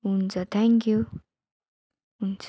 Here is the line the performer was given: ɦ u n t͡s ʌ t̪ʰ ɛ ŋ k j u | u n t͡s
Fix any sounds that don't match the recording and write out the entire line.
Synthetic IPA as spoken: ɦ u n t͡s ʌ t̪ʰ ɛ ŋ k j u | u n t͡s

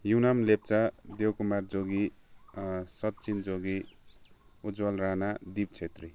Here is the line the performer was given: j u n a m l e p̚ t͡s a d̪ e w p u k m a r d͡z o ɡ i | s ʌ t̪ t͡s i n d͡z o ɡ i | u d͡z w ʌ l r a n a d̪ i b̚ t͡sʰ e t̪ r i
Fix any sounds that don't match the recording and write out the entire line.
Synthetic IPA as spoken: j u n a m l e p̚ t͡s a d̪ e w k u m a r d͡z o ɡ i | s ʌ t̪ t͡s i n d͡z o ɡ i | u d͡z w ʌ l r a n a d̪ i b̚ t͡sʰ e t̪ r i

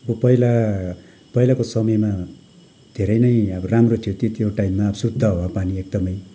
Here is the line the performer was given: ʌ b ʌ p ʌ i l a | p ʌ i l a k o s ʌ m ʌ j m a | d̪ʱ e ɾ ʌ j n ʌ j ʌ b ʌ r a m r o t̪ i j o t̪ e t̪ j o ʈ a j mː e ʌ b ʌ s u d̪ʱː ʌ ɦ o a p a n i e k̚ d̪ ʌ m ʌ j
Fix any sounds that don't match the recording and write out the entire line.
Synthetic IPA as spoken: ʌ b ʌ p ʌ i l a | p ʌ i l a k o s ʌ m ʌ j m a | d̪ʱ e ɾ ʌ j n ʌ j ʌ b ʌ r a m r o t̪ʰ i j o t̪ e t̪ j o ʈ a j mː a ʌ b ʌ s u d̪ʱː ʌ ɦ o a p a n i e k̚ d̪ ʌ m ʌ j

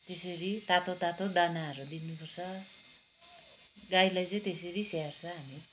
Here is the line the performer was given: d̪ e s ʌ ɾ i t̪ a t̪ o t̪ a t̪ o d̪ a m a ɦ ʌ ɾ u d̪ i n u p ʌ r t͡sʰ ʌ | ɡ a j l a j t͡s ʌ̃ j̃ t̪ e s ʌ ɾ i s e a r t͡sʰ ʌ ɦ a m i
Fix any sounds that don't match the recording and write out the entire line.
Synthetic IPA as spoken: t̪ e s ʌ ɾ i t̪ a t̪ o t̪ a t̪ o d̪ a n a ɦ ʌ ɾ u d̪ i n u p ʌ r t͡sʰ ʌ | ɡ a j l a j t͡s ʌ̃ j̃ t̪ e s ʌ ɾ i s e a r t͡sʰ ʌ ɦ a m i

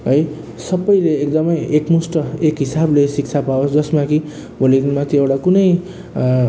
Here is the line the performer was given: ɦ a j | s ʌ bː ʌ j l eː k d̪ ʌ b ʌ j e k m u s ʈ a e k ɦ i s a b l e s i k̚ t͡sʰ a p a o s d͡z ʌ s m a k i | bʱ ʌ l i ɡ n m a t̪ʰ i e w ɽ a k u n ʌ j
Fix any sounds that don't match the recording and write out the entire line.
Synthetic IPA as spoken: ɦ ʌ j | s ʌ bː ʌ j l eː k d̪ ʌ m ʌ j e k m u s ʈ ʌ e k ɦ i s a b l e s i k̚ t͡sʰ a p a o s d͡z ʌ s m a k i | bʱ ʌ l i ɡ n m a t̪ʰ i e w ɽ a k u n ʌ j

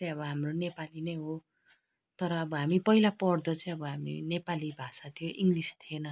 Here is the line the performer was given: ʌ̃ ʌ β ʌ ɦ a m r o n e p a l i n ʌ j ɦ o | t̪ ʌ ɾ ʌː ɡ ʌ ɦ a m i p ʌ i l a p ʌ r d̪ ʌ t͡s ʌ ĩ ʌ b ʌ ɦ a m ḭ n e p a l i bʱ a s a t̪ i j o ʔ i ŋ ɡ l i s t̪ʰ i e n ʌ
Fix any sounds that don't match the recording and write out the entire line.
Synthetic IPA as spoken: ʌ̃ ʌ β ʌ ɦ a m r o n e p a l i n ʌ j ɦ o | t̪ ʌ ɾ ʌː b ʌ ɦ a m i p ʌ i l a p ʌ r d̪ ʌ t͡s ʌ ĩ ʌ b ʌ ɦ a m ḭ n e p a l i bʱ a s a t̪ʰ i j o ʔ i ŋ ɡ l i s t̪ʰ i e n ʌ

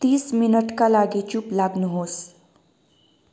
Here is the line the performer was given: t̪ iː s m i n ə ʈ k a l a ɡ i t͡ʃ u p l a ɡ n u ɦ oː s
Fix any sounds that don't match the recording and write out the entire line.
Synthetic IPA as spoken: t̪ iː s m i n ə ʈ k a l a ɡ i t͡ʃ u p l a ɡ n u ɦ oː s

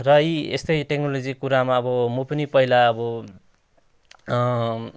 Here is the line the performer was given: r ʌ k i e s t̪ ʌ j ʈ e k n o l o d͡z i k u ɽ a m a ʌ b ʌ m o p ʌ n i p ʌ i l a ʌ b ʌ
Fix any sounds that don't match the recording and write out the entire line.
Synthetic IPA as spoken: r ʌ i e s t̪ ʌ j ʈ e k n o l o d͡z i k u ɾ a m a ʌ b ʌ m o p ʌ n i p ʌ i l a ʌ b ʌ

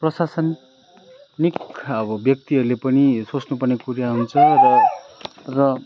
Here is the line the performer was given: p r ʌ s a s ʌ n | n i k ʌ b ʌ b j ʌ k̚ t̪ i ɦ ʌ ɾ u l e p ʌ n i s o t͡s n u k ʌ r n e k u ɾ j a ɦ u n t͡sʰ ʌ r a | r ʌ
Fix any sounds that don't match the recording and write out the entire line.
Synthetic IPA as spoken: p r ʌ s a s ʌ n | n i k ʌ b ʌ b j ʌ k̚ t̪ i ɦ ʌ ɾ u l e p ʌ n i s o t͡s n u p ʌ r n e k u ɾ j a ɦ u n t͡sʰ ʌ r ʌ | r ʌ

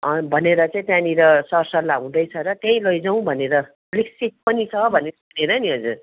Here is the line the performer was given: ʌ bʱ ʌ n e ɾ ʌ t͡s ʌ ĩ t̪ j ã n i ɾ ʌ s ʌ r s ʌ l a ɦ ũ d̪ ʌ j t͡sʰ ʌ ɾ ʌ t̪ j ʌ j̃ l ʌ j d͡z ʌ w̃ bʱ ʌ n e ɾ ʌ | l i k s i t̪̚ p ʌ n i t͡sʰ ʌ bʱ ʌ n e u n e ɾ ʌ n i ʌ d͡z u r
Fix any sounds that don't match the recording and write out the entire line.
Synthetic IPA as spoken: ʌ bʱ ʌ n e ɾ ʌ t͡s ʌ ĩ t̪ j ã n i ɾ ʌ s ʌ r s ʌ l a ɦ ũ d̪ ʌ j t͡sʰ ʌ ɾ ʌ t̪ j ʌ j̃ l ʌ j d͡z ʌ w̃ bʱ ʌ n e ɾ ʌ | l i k s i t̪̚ p ʌ n i t͡sʰ ʌ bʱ ʌ n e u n e ɾ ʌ n i ʌ d͡z u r

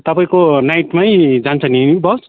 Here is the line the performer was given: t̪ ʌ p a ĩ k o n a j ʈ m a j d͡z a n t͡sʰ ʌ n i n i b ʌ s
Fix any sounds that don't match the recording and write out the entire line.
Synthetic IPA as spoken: t̪ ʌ p a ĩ k o n a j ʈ m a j d͡z a n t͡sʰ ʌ n i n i b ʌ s

